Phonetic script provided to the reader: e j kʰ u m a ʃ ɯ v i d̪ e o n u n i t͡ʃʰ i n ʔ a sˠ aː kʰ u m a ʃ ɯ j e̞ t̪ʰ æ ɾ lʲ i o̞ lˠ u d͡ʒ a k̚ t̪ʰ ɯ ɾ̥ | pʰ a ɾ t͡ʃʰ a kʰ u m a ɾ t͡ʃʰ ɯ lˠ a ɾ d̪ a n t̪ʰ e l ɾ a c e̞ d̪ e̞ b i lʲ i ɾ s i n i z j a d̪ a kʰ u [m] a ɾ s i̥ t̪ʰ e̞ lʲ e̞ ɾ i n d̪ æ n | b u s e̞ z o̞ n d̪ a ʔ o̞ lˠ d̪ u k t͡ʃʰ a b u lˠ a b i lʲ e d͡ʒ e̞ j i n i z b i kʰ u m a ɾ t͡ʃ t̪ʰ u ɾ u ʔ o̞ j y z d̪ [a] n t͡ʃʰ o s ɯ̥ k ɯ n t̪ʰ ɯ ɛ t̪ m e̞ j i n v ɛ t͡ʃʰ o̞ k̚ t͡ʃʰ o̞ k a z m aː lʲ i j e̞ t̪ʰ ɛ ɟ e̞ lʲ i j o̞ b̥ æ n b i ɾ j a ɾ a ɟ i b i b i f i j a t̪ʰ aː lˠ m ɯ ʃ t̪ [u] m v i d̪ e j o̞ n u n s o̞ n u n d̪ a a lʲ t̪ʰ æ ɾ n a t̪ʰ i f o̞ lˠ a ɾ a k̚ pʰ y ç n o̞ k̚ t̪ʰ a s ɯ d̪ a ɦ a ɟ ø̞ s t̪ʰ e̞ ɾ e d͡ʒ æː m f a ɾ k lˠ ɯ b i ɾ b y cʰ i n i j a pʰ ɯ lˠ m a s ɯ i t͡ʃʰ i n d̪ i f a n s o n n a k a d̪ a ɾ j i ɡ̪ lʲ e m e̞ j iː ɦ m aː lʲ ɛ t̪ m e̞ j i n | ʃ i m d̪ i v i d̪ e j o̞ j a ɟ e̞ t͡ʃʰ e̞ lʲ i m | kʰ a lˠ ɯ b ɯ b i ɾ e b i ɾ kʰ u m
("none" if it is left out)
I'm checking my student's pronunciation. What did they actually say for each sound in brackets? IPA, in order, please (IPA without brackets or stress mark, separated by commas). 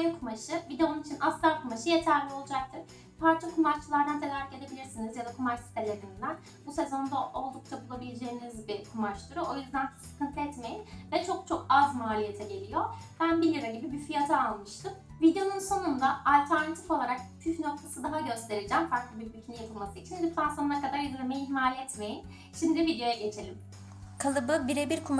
m, æ, ɯ